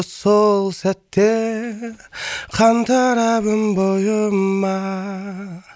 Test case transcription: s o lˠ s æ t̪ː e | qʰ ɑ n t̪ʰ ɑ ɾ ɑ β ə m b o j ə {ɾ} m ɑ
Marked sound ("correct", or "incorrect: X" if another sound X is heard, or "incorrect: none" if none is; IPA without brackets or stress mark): incorrect: none